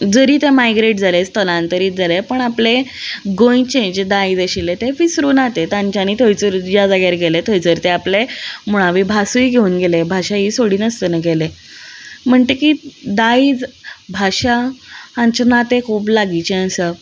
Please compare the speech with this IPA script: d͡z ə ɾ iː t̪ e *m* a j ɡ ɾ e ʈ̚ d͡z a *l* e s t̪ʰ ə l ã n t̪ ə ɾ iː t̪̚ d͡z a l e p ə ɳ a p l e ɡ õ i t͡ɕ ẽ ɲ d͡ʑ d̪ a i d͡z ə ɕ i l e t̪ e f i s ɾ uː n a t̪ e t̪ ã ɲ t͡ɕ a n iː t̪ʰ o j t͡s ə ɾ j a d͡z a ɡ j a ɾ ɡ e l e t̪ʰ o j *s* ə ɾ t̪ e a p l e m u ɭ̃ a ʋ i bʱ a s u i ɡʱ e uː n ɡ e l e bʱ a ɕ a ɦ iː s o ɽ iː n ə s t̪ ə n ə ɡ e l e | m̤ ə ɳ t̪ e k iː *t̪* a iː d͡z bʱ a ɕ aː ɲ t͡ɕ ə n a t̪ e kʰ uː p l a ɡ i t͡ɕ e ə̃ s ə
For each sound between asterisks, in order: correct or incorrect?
correct, correct, incorrect: t͡s, incorrect: d̪

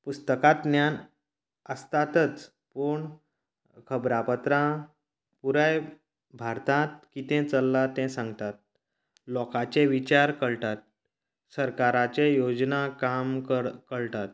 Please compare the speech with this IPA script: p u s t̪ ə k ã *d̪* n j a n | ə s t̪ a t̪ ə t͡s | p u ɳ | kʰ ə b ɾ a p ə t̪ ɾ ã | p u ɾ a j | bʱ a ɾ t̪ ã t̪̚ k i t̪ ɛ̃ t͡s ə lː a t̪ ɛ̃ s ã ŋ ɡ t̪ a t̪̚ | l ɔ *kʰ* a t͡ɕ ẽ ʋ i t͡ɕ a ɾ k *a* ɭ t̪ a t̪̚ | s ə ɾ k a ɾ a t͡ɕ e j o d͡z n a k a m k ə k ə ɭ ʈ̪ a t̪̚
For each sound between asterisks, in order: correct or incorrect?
incorrect: t̪, incorrect: k, incorrect: ə

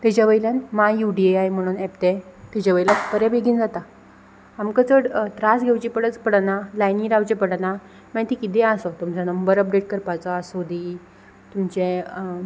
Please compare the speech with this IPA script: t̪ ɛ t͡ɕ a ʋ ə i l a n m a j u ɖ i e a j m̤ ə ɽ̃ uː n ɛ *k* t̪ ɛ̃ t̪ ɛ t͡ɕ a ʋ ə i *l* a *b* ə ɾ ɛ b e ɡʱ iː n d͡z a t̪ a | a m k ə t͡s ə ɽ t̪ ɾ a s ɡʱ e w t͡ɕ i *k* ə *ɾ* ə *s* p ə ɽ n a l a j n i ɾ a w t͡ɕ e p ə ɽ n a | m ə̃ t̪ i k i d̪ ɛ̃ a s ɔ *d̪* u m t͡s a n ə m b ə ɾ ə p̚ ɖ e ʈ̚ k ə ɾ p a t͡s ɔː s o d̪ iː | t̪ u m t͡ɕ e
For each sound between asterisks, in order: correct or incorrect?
incorrect: p, correct, incorrect: p, incorrect: p, incorrect: ɽ, incorrect: t͡s, incorrect: t̪

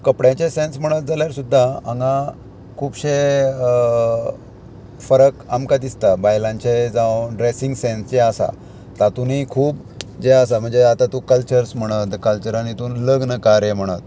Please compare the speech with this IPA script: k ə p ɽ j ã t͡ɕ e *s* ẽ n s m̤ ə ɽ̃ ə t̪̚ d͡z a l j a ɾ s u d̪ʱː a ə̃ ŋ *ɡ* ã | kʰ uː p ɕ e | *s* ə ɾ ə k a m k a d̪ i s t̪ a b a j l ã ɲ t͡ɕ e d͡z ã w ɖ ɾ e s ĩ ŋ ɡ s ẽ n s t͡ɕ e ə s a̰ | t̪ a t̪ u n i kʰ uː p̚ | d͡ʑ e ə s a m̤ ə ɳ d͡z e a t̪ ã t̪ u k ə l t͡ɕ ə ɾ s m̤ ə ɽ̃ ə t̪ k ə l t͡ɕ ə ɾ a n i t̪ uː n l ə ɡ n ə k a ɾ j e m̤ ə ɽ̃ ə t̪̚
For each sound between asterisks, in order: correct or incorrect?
correct, correct, incorrect: f

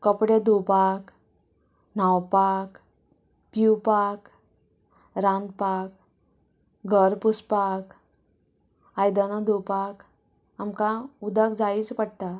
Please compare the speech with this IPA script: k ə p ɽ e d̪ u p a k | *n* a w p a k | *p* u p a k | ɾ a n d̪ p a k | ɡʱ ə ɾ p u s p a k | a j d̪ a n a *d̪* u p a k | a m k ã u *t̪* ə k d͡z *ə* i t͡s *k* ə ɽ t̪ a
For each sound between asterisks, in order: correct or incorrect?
correct, correct, correct, incorrect: d̪, incorrect: a, incorrect: p

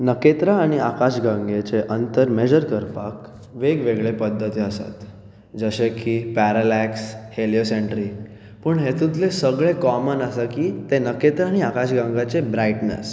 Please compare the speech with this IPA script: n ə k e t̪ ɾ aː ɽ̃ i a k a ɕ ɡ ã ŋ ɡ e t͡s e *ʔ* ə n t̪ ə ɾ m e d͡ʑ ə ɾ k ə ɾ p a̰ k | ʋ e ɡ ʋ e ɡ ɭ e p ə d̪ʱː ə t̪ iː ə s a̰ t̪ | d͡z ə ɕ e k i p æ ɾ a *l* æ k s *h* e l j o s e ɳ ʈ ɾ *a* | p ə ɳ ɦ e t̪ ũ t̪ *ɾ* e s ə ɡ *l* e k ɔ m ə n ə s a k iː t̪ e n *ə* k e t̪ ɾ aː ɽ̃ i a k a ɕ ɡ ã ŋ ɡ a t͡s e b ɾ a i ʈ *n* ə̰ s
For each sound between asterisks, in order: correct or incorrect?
correct, correct, correct, incorrect: i, incorrect: l, incorrect: ɭ, correct, correct

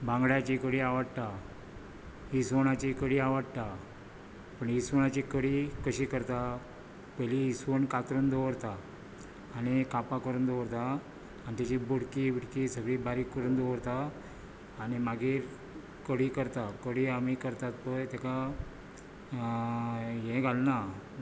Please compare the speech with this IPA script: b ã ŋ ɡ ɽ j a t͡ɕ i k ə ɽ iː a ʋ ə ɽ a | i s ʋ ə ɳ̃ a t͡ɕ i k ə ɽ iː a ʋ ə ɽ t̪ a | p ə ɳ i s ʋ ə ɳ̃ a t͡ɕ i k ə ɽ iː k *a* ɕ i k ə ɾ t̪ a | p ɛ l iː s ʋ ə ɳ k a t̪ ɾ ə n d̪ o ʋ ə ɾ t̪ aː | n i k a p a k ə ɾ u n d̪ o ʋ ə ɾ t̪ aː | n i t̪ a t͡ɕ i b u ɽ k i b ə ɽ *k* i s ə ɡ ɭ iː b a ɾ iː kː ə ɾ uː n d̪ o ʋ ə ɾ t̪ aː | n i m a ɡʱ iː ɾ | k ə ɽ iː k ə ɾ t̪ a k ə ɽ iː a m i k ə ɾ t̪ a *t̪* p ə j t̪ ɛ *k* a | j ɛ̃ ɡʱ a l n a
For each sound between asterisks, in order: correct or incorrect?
incorrect: ə, correct, correct, correct

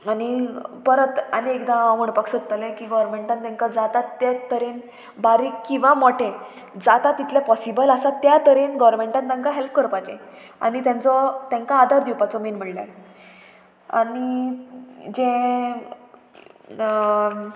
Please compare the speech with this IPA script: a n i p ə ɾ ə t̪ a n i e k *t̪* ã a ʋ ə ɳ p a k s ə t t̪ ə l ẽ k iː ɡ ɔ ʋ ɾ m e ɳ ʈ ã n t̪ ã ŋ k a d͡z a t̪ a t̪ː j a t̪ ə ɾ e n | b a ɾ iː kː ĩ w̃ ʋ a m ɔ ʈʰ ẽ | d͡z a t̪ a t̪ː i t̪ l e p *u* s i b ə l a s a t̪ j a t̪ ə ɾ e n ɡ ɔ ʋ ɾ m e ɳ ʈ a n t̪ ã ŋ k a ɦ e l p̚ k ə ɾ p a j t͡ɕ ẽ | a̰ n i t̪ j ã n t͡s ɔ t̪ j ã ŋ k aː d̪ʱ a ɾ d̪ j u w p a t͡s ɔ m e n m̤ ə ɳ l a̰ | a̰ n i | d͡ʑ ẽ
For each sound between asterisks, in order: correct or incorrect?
incorrect: d̪, incorrect: ɔ

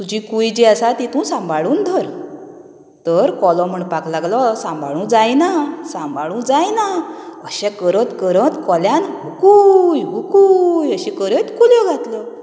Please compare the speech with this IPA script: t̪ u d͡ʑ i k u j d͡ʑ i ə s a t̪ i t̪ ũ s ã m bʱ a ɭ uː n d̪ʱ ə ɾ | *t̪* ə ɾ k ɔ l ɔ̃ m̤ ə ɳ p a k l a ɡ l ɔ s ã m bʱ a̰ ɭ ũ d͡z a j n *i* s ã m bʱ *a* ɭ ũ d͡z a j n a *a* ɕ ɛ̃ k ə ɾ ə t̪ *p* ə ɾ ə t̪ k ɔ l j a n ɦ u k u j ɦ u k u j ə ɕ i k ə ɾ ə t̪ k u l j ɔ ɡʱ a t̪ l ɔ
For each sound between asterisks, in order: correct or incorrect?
correct, incorrect: a, correct, incorrect: ə, incorrect: k

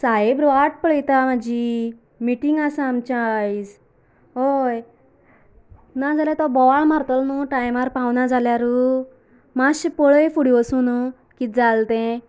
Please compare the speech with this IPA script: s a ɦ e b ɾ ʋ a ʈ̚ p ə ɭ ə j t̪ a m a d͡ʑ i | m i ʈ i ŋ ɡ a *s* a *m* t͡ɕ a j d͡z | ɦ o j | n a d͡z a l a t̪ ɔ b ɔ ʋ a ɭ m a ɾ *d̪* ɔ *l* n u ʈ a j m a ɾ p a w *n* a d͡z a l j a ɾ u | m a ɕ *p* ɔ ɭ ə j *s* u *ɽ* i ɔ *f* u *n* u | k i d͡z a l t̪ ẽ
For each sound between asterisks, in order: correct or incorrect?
correct, correct, incorrect: t̪, correct, correct, correct, incorrect: f, correct, incorrect: s, correct

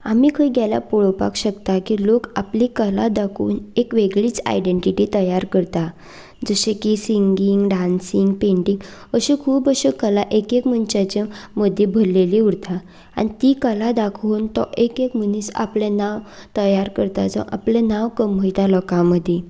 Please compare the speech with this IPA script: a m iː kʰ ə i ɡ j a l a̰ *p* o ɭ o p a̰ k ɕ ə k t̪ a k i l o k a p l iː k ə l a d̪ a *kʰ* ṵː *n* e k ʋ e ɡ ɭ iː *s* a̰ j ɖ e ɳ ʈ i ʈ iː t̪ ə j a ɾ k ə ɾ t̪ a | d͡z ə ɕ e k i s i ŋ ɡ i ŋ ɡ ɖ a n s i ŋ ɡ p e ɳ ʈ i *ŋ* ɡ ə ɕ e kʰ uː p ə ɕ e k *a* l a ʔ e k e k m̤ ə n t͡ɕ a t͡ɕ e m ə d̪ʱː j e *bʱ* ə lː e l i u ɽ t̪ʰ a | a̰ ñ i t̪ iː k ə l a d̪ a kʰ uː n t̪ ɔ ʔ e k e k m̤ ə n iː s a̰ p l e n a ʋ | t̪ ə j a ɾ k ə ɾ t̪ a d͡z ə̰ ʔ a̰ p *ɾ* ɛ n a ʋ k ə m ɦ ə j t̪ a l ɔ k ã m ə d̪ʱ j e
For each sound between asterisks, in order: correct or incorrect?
correct, correct, correct, incorrect: t͡s, correct, incorrect: ə, correct, incorrect: l

